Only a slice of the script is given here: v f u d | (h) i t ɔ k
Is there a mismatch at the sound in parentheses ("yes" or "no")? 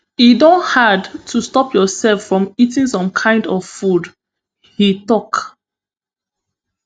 no